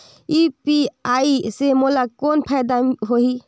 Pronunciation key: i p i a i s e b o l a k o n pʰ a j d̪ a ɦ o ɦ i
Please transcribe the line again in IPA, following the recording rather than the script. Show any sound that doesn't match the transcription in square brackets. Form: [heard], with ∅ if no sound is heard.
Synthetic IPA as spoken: i p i a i s e [m] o l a k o n pʰ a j d̪ a ɦ o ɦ i